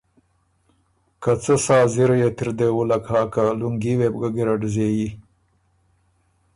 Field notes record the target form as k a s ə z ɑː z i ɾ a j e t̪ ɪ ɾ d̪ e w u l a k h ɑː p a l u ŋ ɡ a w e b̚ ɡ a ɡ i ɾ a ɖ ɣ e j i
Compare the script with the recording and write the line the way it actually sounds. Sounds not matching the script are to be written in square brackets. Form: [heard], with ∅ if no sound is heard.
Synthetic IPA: k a [t͡s] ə [s] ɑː z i ɾ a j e t̪ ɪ ɾ d̪ e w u l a k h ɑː [k] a l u ŋ ɡ [i] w e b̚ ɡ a ɡ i ɾ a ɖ [z] e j i